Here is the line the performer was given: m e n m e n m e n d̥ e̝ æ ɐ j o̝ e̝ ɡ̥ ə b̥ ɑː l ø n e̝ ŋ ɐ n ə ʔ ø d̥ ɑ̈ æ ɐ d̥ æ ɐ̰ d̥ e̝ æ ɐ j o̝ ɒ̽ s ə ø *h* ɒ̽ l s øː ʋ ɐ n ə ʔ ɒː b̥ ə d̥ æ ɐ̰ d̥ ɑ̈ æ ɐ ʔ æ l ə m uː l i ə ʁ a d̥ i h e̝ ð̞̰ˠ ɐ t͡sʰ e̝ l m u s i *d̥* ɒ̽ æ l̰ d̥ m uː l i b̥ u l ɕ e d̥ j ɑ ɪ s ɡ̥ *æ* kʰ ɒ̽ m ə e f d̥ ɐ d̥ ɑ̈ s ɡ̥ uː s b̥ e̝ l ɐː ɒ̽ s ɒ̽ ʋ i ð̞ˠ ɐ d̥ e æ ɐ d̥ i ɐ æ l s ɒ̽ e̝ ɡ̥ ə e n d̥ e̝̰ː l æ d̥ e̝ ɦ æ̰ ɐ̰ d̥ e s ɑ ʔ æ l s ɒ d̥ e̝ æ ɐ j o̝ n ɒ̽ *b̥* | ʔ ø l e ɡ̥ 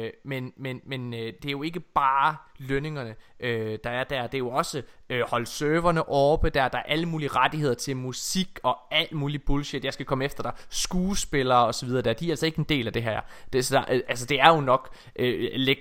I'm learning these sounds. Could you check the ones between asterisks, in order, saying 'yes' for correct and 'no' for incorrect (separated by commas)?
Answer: yes, no, yes, no